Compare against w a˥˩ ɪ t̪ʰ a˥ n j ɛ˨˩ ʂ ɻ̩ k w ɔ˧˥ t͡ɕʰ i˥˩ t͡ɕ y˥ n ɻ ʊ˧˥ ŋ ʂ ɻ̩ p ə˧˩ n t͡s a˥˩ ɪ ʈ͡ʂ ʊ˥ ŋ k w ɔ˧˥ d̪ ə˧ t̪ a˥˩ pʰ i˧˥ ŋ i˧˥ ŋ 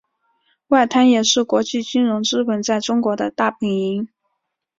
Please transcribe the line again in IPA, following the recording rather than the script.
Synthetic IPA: w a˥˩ ɪ t̪ʰ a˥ n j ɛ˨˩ ʂ ɻ̩ k w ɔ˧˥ t͡ɕ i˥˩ t͡ɕ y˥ n ɻ ʊ˧˥ ŋ ʈ͡ʂ ɻ̩ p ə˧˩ n t͡s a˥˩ ɪ ʈ͡ʂ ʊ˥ ŋ k w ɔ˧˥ d̪ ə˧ t̪ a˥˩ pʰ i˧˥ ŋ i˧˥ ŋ